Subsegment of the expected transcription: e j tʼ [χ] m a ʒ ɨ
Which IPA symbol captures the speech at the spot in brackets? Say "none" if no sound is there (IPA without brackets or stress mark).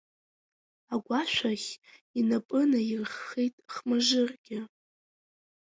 χ